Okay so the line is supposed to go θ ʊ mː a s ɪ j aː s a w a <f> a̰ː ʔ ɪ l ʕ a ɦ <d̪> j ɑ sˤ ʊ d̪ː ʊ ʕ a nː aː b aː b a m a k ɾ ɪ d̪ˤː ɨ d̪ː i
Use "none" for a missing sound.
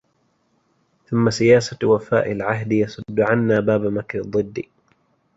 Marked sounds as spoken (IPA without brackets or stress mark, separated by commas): f, d̪